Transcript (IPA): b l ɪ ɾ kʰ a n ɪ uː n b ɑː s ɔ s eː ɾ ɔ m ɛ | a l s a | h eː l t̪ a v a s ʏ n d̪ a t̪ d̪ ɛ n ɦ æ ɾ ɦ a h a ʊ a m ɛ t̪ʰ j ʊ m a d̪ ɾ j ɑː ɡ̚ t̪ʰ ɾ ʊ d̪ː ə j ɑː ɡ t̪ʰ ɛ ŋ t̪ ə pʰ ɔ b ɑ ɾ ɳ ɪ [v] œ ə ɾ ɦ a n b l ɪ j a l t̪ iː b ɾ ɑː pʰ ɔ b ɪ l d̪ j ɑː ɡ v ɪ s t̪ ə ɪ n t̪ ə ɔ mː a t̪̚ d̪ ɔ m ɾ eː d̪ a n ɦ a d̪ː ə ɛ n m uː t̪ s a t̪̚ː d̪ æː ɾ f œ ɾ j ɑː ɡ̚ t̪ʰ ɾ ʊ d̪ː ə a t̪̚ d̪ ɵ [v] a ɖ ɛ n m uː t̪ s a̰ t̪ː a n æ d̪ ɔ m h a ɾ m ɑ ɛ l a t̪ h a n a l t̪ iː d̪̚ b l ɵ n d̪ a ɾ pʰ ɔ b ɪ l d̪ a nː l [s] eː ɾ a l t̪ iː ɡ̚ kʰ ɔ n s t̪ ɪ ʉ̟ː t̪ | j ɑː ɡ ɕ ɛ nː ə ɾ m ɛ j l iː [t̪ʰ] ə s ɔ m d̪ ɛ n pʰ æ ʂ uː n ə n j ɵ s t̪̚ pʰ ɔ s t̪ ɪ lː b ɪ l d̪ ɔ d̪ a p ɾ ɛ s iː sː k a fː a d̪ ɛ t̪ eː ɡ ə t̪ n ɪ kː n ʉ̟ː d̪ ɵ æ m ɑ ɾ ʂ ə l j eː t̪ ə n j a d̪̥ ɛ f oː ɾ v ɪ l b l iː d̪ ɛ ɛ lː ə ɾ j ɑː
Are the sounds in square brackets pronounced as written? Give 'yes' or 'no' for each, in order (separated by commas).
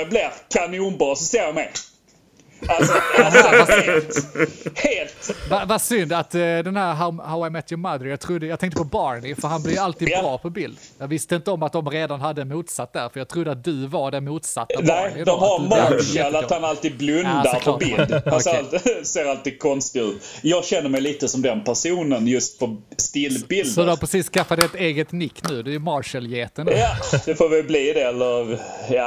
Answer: no, yes, yes, no